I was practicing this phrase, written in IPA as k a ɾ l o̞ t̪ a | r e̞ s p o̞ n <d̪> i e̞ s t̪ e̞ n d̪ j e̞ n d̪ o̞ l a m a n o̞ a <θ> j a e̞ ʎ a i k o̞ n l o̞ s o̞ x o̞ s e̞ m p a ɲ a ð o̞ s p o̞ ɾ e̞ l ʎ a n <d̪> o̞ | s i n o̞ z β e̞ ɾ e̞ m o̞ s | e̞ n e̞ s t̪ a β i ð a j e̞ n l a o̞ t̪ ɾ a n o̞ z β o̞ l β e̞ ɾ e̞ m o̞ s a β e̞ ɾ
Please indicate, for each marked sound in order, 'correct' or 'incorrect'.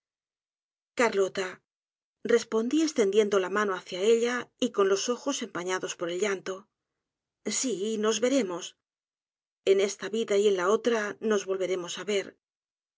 correct, correct, incorrect

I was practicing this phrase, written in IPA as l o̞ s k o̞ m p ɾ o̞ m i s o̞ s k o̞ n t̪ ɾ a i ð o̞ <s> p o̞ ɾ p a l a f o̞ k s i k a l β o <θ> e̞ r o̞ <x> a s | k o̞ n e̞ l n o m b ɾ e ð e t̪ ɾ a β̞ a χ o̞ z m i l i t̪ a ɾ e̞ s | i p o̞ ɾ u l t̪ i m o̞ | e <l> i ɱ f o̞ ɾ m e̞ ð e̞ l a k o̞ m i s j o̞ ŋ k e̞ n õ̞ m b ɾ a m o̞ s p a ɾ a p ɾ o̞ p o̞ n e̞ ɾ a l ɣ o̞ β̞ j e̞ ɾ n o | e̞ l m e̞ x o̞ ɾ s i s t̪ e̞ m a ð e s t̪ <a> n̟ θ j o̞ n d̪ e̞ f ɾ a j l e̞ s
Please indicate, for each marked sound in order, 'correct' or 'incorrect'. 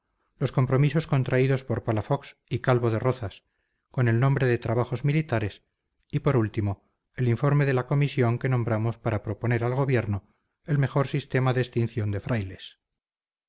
correct, incorrect, incorrect, correct, incorrect

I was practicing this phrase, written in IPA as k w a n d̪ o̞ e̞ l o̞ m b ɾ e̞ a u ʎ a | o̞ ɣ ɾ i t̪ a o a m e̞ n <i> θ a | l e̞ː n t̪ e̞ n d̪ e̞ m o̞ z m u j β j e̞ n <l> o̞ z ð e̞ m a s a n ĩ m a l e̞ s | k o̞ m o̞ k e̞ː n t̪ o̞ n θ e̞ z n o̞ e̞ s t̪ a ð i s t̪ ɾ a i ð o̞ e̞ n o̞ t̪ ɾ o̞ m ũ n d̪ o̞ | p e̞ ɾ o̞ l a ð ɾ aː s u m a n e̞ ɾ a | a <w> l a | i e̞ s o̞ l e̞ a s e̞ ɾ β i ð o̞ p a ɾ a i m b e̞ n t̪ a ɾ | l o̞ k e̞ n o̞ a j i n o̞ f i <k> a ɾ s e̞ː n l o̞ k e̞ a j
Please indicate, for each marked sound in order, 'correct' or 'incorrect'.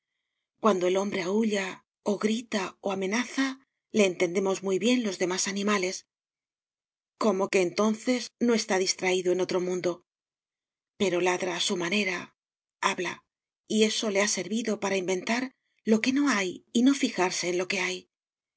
incorrect, correct, incorrect, incorrect

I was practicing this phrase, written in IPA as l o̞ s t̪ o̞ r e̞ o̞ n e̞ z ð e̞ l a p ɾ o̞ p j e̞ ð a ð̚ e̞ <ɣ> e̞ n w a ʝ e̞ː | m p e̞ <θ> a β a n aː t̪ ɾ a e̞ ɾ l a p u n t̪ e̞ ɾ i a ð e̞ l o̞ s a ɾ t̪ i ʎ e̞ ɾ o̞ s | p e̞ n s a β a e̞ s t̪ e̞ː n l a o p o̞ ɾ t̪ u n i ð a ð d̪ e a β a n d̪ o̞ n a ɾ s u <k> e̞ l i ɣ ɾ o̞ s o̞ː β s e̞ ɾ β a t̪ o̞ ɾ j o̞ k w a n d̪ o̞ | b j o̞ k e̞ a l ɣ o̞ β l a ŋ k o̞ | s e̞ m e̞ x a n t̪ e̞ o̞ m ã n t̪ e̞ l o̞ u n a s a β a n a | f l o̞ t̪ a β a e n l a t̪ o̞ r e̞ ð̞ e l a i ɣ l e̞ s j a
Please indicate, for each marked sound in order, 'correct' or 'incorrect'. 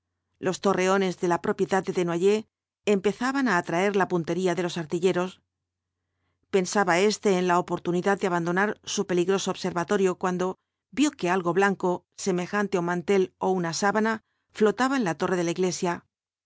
incorrect, correct, incorrect

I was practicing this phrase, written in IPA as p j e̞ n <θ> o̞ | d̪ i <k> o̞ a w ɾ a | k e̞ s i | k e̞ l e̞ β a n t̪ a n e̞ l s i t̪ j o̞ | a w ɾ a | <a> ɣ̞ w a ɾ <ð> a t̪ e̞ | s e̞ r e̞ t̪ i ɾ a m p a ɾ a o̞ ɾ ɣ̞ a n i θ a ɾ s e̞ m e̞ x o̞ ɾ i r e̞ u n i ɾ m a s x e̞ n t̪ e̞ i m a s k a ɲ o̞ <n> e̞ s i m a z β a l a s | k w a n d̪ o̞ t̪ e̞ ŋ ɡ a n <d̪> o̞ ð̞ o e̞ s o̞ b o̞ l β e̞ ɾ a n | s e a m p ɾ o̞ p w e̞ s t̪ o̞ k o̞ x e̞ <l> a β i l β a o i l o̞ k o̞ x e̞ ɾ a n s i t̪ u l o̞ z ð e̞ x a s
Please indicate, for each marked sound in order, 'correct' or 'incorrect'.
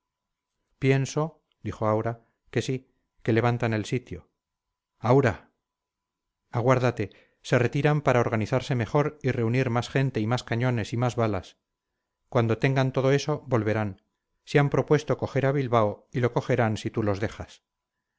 incorrect, incorrect, correct, correct, correct, incorrect, incorrect

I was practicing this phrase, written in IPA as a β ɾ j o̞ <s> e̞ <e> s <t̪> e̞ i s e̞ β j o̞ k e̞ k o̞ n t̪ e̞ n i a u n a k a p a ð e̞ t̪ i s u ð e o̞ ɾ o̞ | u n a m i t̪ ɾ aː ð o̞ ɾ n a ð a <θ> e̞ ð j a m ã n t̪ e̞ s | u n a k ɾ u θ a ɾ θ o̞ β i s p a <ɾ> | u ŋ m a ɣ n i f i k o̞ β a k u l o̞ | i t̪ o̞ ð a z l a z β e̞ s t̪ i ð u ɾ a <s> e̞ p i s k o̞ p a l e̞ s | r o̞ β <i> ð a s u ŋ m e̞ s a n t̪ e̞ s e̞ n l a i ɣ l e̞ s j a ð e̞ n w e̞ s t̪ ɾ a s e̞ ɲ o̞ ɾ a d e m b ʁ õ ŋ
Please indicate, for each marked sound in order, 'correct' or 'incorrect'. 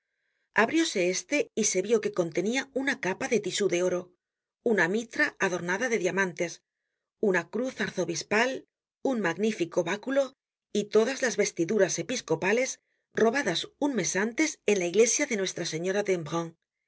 correct, correct, correct, incorrect, incorrect, correct, incorrect

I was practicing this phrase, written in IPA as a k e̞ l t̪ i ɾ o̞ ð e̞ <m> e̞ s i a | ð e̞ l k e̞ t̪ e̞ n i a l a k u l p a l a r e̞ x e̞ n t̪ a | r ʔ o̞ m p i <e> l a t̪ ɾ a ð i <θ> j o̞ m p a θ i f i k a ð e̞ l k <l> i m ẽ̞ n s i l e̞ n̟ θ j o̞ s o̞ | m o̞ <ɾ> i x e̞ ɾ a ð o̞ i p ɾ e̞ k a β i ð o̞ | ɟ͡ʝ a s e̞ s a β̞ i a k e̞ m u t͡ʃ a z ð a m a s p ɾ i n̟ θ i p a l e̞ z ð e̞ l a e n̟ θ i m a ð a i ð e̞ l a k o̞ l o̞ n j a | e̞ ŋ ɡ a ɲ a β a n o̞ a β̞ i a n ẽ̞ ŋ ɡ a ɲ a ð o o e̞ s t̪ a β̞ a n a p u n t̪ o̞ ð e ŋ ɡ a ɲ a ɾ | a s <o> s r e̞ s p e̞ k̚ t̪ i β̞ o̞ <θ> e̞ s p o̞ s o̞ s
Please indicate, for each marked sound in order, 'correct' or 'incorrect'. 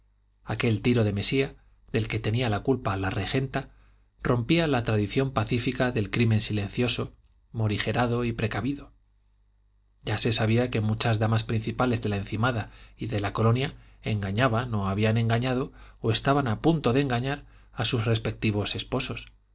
correct, incorrect, correct, incorrect, correct, incorrect, incorrect

